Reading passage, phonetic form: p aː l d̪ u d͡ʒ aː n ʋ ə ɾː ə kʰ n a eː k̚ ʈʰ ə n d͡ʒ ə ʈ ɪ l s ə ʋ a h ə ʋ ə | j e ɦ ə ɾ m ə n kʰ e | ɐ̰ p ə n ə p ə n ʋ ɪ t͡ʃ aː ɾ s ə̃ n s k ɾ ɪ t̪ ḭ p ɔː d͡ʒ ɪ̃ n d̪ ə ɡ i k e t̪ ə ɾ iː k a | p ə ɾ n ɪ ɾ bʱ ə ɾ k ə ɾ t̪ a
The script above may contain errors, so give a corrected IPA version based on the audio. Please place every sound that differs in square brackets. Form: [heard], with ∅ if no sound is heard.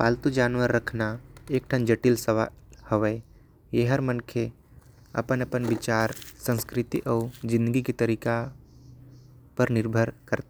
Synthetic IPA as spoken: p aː l [t̪] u d͡ʒ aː n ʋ ə ɾː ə kʰ n a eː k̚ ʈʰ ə n d͡ʒ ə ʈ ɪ l s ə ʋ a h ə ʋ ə | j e ɦ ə ɾ m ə n kʰ e | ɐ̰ p ə n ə p ə n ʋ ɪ t͡ʃ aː ɾ s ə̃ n s k ɾ ɪ t̪ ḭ [ʔ] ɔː d͡ʒ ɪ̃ n d̪ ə ɡ i k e t̪ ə ɾ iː k a | p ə ɾ n ɪ ɾ bʱ ə ɾ k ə ɾ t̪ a